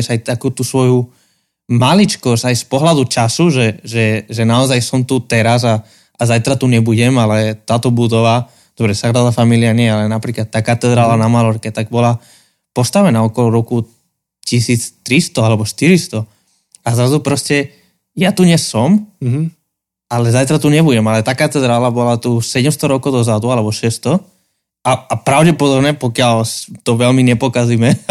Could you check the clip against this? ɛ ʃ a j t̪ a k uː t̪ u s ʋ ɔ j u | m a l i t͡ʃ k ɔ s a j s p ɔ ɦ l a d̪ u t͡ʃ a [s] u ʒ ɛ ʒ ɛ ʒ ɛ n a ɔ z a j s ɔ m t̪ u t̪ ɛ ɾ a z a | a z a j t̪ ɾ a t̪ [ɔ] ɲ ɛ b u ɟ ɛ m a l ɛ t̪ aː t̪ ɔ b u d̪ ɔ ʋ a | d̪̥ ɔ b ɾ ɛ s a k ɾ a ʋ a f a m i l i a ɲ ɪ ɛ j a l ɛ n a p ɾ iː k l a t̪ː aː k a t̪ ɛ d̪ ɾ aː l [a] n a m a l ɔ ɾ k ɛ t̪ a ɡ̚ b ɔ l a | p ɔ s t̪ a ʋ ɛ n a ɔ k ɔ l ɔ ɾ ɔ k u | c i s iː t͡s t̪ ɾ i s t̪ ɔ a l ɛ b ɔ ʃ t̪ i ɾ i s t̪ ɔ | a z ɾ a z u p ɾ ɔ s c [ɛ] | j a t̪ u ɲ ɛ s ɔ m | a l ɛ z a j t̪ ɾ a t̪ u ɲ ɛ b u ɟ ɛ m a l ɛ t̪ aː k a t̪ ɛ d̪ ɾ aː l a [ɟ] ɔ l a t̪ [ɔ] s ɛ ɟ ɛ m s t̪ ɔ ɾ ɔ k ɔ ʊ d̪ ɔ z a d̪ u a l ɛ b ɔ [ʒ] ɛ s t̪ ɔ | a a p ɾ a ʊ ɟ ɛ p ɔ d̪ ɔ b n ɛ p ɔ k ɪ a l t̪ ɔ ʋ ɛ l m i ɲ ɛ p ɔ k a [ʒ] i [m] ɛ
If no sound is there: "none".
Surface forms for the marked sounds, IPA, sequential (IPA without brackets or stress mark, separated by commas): s, u, a, ɛ, b, u, ʃ, z, m